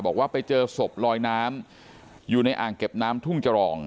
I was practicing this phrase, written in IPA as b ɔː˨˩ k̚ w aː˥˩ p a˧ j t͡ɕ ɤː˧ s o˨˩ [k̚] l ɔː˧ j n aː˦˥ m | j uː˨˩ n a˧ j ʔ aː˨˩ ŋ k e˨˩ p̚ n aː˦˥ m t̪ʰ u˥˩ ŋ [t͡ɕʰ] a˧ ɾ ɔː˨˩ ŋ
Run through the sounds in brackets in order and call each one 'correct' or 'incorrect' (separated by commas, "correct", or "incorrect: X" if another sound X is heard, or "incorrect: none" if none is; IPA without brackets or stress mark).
incorrect: p̚, incorrect: t͡ɕ